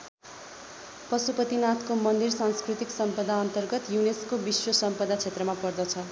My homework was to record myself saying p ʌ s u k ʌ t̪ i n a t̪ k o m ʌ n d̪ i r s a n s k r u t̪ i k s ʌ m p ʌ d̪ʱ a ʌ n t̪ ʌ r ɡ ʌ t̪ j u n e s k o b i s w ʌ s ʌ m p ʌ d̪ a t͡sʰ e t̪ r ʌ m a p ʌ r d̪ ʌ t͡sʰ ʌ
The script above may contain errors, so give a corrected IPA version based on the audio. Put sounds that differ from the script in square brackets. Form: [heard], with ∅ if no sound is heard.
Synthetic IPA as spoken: p ʌ s u [p] ʌ t̪ i n a t̪ k o m ʌ n d̪ i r s a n s k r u t̪ i k s ʌ m p ʌ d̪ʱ a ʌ n t̪ ʌ r ɡ ʌ t̪ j u n e s k o b i s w ʌ s ʌ m p ʌ d̪ a t͡sʰ e t̪ r ʌ m a p ʌ r d̪ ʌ t͡sʰ ʌ